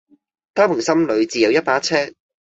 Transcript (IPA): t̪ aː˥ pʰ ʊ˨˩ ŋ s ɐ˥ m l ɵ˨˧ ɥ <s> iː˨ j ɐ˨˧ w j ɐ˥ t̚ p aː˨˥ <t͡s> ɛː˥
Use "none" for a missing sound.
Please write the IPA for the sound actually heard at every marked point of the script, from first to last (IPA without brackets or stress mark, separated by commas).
t͡s, t͡sʰ